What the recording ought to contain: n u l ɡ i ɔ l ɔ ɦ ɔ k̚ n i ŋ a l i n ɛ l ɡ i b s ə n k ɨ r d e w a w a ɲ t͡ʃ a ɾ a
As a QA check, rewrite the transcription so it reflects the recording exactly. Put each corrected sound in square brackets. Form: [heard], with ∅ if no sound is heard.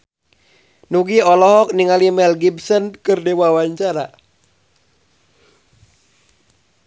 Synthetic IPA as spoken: n u [∅] ɡ i ɔ l ɔ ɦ ɔ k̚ n i ŋ a l i [m] ɛ l ɡ i b s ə n k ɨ r d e w a w a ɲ t͡ʃ a ɾ a